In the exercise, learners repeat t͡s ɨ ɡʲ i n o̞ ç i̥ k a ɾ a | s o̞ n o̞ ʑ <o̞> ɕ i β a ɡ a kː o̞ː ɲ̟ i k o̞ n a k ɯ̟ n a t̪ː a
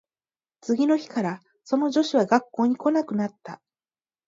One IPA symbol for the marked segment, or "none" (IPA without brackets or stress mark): o̞